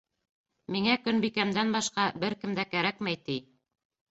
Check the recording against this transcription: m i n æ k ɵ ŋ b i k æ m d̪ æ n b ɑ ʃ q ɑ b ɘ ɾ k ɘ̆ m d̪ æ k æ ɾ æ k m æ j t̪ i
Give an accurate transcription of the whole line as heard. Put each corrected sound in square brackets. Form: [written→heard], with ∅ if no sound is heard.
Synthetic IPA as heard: m i [n→ŋ] æ k ɵ [ŋ→n] b i k æ m d̪ æ n b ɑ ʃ q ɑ b ɘ ɾ k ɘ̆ m d̪ æ k æ ɾ æ k m æ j t̪ i